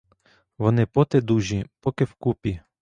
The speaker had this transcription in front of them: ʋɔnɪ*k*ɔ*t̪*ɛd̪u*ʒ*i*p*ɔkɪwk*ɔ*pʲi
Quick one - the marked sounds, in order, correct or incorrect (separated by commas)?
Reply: incorrect, correct, correct, correct, incorrect